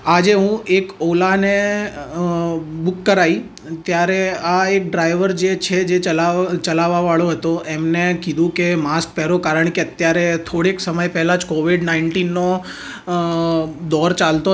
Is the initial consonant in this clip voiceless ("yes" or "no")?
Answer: no